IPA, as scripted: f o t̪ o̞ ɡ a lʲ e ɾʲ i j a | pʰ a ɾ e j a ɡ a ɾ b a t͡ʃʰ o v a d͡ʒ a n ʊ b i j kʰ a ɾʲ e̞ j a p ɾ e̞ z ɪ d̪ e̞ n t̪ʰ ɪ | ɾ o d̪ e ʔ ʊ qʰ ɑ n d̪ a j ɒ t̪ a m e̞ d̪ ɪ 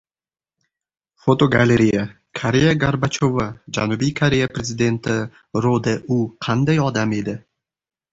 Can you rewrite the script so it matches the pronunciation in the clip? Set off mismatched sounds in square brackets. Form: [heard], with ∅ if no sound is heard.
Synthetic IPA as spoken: f o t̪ o̞ ɡ a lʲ e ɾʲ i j a | [kʰ] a ɾ e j a ɡ a ɾ b a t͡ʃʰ o v a d͡ʒ a n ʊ b i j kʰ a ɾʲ e̞ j a p ɾ e̞ z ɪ d̪ e̞ n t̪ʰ ɪ | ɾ o d̪ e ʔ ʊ qʰ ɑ n d̪ a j ɒ [d̪] a m e̞ d̪ ɪ